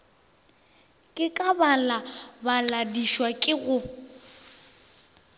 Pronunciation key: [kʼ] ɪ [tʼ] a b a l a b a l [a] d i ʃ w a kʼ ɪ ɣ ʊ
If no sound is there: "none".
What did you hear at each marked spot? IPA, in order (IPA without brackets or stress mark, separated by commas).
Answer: kʼ, kʼ, a